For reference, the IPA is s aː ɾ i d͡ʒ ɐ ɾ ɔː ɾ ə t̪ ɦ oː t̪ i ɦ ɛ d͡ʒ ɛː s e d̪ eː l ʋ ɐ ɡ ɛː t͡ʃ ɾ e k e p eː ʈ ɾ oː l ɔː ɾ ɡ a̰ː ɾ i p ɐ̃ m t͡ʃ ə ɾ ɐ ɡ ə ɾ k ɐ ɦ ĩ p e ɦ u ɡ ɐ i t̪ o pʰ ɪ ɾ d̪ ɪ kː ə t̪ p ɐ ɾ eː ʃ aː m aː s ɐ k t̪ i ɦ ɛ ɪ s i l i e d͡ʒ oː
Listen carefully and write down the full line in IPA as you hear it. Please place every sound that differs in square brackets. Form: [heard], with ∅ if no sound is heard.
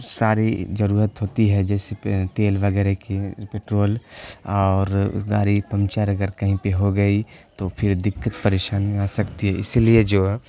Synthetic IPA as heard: s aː ɾ i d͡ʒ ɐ ɾ [uː] ɾ ə t̪ ɦ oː t̪ i ɦ ɛ d͡ʒ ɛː s e [t̪] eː l ʋ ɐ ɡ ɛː [∅] ɾ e k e p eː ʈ ɾ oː l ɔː ɾ ɡ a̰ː ɾ i p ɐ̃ m t͡ʃ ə ɾ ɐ ɡ ə ɾ k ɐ ɦ ĩ p e ɦ [o] ɡ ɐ i t̪ o pʰ ɪ ɾ d̪ ɪ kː ə t̪ p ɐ ɾ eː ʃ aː [n] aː s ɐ k t̪ i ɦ ɛ ɪ s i l i e d͡ʒ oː